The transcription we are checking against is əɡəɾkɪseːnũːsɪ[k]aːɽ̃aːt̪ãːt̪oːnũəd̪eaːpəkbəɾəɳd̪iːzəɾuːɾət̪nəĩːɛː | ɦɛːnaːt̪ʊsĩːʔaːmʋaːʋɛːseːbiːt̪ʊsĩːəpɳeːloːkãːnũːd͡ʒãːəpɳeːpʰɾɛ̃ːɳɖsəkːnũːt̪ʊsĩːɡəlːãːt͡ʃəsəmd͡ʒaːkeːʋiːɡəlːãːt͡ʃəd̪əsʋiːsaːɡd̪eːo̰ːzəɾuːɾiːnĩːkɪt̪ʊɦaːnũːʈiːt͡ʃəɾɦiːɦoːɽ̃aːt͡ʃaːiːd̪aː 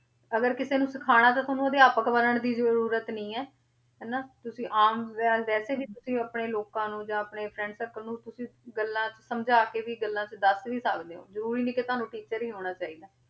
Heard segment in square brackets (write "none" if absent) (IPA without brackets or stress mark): kʰ